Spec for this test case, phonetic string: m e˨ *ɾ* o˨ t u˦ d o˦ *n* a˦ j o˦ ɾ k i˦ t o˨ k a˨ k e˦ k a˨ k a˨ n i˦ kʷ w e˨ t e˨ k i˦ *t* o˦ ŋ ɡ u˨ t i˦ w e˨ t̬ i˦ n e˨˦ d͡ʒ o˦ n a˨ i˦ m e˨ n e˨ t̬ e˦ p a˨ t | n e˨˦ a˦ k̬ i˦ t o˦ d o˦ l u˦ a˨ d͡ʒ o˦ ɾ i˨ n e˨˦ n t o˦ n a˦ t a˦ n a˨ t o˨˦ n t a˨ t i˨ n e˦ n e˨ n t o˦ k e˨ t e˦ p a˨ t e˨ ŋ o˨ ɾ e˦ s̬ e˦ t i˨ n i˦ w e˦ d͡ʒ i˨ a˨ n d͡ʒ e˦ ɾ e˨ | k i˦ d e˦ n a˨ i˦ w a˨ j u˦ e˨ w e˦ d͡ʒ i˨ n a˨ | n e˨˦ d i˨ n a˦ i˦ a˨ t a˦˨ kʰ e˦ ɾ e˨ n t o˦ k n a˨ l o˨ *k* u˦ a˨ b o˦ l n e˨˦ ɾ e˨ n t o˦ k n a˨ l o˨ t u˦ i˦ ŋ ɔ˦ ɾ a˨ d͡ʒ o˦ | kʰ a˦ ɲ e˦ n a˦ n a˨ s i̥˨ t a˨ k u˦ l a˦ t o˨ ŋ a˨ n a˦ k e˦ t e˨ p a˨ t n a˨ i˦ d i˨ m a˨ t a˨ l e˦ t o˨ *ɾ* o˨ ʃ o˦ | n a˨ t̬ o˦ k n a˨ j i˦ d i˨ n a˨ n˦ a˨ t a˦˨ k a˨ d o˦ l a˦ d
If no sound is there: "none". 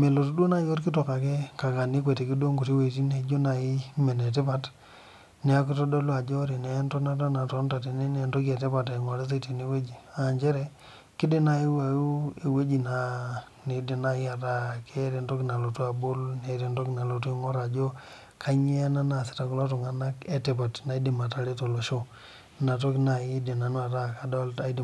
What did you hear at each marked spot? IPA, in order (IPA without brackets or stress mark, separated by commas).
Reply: l, n, d, t, l